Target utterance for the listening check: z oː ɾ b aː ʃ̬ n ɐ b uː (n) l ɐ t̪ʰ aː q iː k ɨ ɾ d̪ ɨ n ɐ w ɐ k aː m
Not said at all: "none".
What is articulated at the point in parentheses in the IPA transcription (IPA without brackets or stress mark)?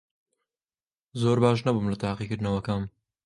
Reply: m